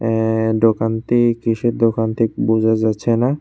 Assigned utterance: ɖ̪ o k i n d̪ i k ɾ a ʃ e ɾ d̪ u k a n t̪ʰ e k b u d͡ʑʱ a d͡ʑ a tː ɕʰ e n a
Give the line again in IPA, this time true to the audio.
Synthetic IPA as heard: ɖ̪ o k a n t̪ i k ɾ i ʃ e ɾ d̪ o k a n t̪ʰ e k b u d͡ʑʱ a d͡ʑ a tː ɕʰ e n a